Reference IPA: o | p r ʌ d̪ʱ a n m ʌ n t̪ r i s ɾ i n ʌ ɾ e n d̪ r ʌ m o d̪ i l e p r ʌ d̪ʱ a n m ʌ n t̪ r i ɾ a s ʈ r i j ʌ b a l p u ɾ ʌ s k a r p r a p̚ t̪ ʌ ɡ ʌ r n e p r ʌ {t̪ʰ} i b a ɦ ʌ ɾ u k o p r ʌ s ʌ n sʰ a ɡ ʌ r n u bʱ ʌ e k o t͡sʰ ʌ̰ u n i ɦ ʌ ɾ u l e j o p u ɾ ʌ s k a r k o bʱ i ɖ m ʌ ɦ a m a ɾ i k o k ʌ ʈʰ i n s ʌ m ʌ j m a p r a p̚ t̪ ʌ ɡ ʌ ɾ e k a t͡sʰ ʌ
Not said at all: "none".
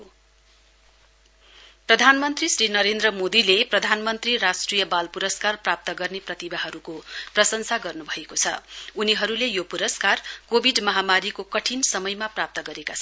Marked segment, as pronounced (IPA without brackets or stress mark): t̪